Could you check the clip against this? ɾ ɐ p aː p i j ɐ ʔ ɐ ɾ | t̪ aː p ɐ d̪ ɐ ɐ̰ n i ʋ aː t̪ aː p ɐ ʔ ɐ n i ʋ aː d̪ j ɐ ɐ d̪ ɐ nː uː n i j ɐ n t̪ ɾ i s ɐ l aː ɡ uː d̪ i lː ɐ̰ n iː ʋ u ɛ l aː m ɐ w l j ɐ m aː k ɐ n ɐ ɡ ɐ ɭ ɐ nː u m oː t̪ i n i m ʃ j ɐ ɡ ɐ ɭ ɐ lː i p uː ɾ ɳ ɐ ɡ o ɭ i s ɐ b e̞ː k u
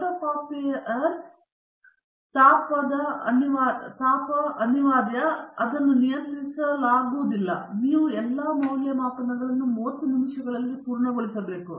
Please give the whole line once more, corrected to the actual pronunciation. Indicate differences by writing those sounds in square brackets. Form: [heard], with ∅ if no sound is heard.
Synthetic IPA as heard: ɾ ɐ p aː p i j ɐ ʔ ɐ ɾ | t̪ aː p ɐ d̪ ɐ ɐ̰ n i ʋ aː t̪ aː p ɐ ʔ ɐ n i ʋ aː d̪ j ɐ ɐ d̪ ɐ nː [u] n i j ɐ n t̪ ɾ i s ɐ l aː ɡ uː d̪ i lː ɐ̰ n iː ʋ u ɛ [lː] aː m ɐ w l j ɐ m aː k ɐ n ɐ ɡ ɐ ɭ ɐ nː u m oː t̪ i n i m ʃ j ɐ ɡ ɐ ɭ ɐ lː i p uː ɾ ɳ ɐ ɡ o ɭ i s ɐ b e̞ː k u